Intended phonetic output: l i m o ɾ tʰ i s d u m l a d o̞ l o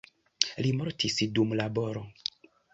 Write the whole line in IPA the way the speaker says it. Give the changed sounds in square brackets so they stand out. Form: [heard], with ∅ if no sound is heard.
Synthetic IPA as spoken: l i m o ɾ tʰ i s d u m l a [b] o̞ [ɾ] o